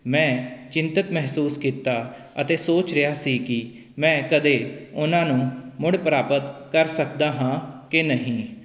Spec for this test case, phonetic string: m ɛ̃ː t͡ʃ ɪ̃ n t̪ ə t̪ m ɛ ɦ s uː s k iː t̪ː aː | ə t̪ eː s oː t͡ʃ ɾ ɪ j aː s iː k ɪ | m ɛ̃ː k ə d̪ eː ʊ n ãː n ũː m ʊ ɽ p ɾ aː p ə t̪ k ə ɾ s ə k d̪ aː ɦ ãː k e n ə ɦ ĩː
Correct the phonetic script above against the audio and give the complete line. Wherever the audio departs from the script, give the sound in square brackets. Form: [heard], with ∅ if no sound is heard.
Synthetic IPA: m ɛ̃ː t͡ʃ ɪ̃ n t̪ ə t̪ m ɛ ɦ s uː s k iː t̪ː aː | ə t̪ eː s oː t͡ʃ ɾ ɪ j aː s iː k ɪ | m ɛ̃ː k ə d̪ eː ʊ n ãː n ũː m ʊ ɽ p ɾ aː p ə t̪ k ə ɾ s ə k d̪ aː ɦ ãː k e n ə ɦ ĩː